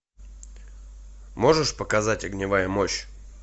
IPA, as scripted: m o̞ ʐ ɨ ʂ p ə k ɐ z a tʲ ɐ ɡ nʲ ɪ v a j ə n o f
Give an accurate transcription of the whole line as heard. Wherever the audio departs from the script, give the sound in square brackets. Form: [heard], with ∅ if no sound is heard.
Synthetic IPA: m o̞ ʐ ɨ ʂ p ə k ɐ z a tʲ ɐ ɡ nʲ ɪ v a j ə [m] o [ɕ]